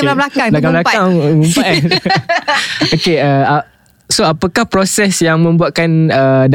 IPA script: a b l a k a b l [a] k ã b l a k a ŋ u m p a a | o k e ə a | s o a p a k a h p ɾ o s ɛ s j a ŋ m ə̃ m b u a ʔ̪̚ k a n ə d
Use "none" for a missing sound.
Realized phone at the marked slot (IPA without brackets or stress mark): a